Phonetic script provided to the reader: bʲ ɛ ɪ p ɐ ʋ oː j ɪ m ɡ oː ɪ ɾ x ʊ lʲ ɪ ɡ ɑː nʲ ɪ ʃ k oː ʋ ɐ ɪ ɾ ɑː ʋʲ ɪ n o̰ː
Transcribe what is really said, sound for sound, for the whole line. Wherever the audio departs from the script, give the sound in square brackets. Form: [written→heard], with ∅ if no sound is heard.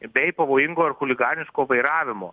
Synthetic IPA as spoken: bʲ ɛ ɪ p ɐ ʋ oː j ɪ [m→ŋ] ɡ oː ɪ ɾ x ʊ lʲ ɪ ɡ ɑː nʲ ɪ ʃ k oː ʋ ɐ ɪ ɾ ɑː ʋʲ ɪ [n→m] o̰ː